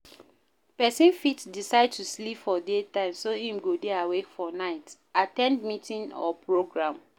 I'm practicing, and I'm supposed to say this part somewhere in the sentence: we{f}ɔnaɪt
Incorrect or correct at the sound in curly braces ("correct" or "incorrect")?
correct